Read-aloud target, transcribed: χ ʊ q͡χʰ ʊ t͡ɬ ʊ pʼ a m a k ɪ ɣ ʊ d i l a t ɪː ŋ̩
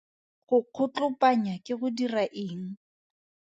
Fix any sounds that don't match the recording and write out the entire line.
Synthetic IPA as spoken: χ ʊ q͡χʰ ʊ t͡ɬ ʊ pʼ a ɲ a k ɪ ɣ ʊ d i r a ʔ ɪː ŋ̩